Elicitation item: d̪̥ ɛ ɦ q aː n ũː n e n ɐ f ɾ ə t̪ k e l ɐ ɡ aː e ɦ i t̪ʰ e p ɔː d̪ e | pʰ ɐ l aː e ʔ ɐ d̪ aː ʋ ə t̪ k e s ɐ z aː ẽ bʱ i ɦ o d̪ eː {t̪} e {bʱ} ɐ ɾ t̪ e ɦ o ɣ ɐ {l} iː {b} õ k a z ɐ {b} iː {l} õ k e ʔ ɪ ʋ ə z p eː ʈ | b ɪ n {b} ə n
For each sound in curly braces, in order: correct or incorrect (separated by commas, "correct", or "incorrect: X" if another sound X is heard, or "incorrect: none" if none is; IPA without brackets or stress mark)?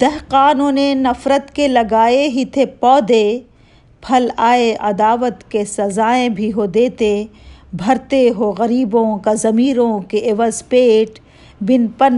correct, correct, incorrect: ɾ, correct, incorrect: m, incorrect: ɾ, incorrect: p